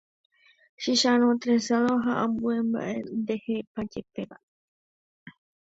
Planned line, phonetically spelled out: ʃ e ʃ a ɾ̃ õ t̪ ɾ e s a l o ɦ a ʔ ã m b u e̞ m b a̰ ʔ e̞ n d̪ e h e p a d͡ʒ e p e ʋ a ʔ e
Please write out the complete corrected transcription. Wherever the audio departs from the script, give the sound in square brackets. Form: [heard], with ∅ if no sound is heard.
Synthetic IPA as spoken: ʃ [i] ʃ a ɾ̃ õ t̪ ɾ e s a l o ɦ a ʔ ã m b u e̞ m b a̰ ʔ e̞ n d̪ e h e p a d͡ʒ e p e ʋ a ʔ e